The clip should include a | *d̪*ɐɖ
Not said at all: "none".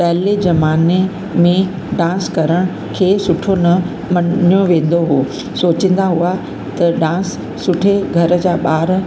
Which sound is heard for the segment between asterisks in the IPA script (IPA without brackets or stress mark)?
t̪